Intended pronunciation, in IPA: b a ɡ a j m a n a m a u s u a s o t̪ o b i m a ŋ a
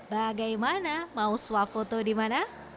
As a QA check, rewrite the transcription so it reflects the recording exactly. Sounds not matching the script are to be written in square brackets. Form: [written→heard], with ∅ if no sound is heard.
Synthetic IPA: b a ɡ a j m a n a m a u s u a [s→f] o t̪ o [b→d] i m a [ŋ→n] a